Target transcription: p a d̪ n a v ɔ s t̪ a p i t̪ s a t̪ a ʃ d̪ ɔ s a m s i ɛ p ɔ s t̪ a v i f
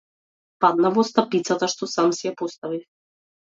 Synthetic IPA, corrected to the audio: p a d̪ n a v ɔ s t̪ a p i t̪ s a t̪ a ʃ t̪ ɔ s a m s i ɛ p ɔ s t̪ a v i f